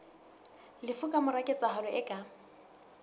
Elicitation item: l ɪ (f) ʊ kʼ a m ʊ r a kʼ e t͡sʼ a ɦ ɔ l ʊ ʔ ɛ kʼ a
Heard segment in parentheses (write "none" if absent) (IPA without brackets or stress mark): f